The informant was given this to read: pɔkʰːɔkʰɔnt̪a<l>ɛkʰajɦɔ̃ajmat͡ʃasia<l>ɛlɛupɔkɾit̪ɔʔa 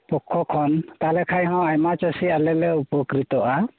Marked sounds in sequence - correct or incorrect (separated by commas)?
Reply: correct, correct